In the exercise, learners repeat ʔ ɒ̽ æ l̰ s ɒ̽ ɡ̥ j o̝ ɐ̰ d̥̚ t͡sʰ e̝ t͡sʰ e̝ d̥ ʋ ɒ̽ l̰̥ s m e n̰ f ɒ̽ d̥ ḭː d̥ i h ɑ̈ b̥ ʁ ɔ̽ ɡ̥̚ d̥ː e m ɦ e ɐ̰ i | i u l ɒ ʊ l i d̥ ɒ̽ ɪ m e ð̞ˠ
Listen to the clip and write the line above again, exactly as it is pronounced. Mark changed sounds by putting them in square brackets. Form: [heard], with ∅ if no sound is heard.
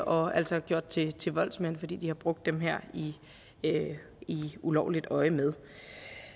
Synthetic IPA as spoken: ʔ ɒ̽ æ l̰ s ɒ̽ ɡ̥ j o̝ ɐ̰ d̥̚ t͡sʰ e̝ t͡sʰ e̝ [∅] ʋ ɒ̽ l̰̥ s m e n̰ f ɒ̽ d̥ ḭː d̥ i h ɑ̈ b̥ ʁ ɔ̽ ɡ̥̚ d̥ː e m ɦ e ɐ̰ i | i u l ɒ ʊ l i d̥ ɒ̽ ɪ m e ð̞ˠ